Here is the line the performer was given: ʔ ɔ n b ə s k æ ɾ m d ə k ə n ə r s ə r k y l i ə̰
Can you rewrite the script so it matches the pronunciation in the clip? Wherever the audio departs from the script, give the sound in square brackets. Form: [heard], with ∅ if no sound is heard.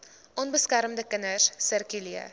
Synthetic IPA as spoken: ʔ ɔ n b ə s k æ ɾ m d ə k ə n ə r s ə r k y l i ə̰